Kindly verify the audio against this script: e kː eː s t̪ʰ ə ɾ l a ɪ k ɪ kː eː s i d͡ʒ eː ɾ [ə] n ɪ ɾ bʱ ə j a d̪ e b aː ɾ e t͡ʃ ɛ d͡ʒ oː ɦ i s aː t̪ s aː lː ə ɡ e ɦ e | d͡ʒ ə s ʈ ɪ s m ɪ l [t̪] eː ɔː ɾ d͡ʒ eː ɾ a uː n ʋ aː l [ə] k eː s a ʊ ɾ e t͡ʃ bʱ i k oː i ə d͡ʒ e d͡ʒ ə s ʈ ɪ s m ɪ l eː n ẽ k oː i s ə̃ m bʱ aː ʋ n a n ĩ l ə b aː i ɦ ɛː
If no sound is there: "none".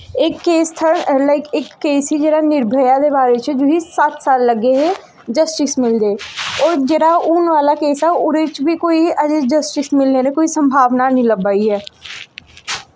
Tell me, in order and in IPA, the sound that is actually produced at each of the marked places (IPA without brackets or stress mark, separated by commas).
a, d̪, a